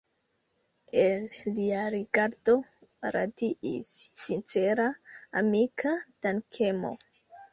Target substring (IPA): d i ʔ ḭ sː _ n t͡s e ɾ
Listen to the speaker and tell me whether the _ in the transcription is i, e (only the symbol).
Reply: i